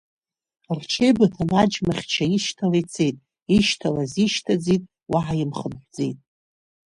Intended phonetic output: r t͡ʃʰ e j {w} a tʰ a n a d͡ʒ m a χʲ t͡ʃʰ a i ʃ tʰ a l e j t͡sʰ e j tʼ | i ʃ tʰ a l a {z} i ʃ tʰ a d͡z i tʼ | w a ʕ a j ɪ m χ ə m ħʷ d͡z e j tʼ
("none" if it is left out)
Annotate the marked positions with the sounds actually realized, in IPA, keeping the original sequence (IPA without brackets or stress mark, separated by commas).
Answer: b, z